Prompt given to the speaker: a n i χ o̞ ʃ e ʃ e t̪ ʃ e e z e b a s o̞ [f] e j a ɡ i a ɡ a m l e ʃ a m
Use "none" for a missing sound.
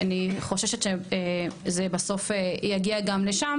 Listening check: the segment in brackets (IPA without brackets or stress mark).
f